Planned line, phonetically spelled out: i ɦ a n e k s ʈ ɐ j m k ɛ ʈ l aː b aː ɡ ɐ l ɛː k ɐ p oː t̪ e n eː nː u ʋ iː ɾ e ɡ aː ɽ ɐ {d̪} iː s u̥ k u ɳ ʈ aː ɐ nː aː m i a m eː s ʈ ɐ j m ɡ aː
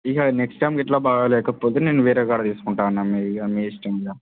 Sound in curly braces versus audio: incorrect: t̪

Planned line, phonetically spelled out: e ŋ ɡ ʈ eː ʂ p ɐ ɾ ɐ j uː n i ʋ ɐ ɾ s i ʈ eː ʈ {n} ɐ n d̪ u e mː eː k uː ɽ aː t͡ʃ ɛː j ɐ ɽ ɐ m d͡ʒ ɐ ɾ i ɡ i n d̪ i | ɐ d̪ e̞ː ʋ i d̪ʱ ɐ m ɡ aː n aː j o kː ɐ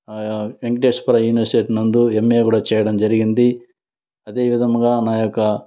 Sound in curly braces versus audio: correct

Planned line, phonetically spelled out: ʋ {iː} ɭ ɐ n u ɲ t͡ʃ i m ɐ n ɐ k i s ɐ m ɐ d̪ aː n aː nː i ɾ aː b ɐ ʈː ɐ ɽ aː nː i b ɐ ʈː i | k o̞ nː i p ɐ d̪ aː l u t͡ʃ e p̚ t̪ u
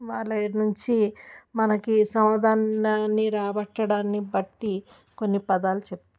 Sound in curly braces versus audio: incorrect: aː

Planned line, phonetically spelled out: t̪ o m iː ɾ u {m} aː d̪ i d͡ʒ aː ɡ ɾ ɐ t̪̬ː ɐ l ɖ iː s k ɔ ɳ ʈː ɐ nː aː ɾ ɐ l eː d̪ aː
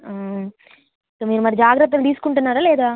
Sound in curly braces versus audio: correct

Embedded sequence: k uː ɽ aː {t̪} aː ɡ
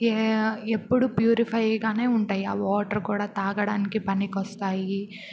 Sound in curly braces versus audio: correct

